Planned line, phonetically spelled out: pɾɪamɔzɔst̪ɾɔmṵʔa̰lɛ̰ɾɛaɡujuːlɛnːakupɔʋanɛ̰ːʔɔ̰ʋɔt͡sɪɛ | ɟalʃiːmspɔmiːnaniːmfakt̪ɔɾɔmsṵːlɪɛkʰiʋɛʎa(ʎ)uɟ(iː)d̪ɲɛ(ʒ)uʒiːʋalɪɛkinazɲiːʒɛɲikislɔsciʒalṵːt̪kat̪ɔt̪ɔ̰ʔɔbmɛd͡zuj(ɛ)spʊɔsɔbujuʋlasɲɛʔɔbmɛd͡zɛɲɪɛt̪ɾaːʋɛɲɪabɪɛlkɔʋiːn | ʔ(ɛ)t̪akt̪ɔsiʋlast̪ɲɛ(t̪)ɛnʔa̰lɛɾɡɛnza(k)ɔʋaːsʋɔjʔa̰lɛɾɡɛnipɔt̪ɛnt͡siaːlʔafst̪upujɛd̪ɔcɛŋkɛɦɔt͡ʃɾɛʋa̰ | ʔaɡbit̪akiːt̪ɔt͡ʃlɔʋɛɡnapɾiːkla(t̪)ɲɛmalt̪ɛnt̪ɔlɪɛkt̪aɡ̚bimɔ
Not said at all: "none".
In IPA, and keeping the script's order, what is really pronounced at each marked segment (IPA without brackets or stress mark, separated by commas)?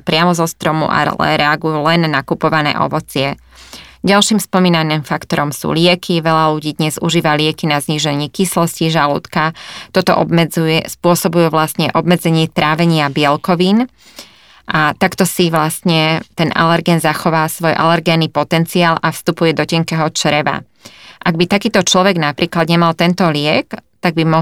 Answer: l, iː, z, ɛ, a, t̪, x, d̪